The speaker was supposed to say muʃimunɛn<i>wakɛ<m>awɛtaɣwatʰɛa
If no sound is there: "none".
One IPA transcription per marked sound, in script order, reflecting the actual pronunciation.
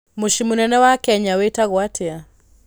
ɛ, ɲ

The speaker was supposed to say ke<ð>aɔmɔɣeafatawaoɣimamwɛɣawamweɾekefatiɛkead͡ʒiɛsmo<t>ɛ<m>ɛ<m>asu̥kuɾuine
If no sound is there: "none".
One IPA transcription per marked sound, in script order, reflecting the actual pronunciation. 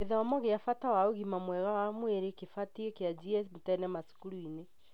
ð, t, n, m

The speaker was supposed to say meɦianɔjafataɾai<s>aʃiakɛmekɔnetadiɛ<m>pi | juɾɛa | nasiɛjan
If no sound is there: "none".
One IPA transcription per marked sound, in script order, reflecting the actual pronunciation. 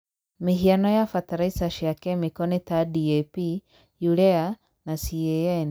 s, none

